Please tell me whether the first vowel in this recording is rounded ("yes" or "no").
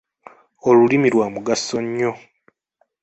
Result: yes